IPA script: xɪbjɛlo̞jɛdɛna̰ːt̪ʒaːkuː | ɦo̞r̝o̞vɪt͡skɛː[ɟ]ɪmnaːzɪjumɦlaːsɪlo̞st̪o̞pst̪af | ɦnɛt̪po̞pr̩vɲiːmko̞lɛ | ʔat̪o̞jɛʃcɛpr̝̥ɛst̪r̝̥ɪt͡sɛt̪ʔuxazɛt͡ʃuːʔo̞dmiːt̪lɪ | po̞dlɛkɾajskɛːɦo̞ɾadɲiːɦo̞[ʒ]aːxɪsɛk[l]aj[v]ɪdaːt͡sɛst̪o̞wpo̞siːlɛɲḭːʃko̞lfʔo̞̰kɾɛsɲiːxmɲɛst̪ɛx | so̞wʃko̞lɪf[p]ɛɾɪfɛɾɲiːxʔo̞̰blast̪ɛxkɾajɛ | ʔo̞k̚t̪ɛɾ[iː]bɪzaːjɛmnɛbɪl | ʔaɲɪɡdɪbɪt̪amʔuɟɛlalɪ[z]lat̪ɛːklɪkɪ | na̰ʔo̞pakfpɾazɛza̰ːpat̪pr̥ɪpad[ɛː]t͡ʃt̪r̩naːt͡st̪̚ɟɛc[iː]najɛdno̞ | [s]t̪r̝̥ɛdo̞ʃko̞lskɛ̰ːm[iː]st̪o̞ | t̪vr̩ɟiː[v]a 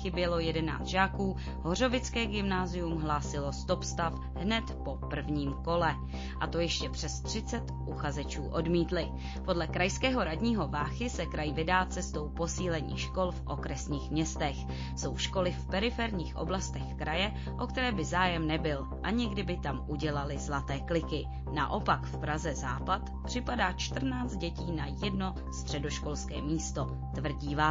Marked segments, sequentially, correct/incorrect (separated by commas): incorrect, incorrect, incorrect, correct, correct, incorrect, correct, incorrect, correct, correct, correct, correct